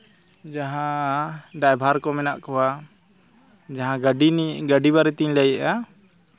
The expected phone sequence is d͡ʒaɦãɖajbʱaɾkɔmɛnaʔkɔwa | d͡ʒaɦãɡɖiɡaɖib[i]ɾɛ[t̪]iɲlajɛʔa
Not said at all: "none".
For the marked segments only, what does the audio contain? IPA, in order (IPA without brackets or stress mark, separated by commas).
a, t̪